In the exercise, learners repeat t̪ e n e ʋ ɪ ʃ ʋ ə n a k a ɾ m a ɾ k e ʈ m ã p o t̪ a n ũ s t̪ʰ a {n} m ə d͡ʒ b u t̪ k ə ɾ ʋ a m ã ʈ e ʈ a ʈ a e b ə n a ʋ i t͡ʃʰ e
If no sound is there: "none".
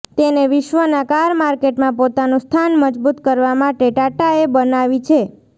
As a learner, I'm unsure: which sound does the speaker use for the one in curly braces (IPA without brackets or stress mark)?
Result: n